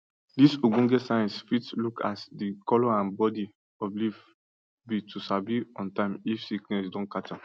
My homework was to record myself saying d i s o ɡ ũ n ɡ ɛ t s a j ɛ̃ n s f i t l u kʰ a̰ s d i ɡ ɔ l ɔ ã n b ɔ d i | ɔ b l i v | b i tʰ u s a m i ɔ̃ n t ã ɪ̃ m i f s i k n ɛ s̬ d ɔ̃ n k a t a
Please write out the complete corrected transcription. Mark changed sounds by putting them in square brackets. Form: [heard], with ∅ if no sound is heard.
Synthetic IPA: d i s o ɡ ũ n ɡ ɛ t s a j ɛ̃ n s f i t l u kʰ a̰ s d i [k] ɔ l ɔ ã n b ɔ d i | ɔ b l i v | b i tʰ u s a [b] i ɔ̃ n t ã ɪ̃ m i f s i k n ɛ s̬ d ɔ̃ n k a t a